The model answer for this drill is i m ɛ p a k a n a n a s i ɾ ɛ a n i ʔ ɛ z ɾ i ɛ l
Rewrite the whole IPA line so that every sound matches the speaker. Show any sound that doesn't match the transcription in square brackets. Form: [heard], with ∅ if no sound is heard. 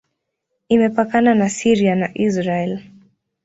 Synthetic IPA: i m ɛ p a k a n a n a s i ɾ [i] a n [a] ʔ [i] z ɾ [a] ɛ l